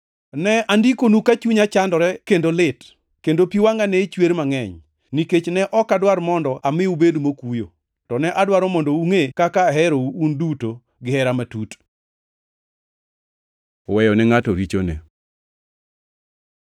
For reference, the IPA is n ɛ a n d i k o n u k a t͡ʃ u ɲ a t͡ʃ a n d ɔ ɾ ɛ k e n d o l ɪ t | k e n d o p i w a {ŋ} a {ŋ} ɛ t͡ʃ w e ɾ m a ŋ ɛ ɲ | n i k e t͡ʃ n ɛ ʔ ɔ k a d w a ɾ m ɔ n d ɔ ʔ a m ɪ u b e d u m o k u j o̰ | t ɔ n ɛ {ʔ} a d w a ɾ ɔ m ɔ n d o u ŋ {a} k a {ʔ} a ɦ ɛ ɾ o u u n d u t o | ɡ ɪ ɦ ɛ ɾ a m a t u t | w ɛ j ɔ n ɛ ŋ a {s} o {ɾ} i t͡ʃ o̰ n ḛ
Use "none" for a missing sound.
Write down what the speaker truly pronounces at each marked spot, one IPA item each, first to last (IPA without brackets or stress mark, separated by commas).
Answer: ŋ, n, ʔ, e, k, t, ɾ